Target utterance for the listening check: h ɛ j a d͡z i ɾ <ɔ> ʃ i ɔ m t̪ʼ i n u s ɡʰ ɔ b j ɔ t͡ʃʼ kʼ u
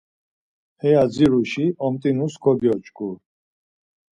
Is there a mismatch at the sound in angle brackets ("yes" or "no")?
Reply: yes